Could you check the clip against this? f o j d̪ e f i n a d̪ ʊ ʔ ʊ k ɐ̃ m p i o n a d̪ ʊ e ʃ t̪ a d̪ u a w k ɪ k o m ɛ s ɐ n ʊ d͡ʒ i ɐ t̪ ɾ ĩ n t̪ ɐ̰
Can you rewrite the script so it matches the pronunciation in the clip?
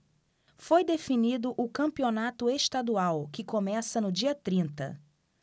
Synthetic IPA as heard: f o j d̪ e f i n i d̪ ʊ ʔ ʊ k ɐ̃ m p i o n a t̪ ʊ e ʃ t̪ a d̪ u a w k ɪ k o m ɛ s ɐ n ʊ d͡ʒ i ɐ t̪ ɾ ĩ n t̪ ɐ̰